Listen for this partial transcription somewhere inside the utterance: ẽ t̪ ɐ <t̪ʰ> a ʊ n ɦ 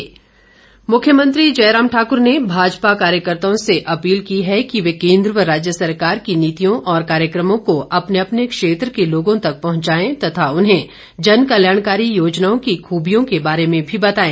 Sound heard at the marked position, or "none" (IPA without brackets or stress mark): t̪ʰ